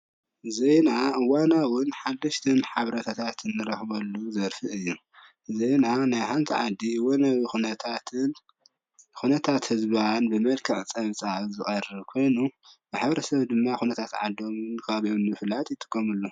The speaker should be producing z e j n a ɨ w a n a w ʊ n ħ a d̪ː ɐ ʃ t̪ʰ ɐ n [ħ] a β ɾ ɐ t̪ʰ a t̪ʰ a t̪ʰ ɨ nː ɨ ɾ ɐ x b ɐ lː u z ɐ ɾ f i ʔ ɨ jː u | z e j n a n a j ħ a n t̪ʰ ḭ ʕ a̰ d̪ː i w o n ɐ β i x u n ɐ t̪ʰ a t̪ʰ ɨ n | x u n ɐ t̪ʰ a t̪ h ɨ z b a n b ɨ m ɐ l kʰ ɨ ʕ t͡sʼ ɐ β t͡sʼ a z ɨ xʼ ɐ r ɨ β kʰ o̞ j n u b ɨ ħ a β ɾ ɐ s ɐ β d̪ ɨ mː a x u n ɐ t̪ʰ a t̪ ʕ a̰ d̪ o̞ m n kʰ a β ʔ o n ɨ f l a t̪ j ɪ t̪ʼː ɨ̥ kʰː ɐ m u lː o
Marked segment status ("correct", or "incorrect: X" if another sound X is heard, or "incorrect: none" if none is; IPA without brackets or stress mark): correct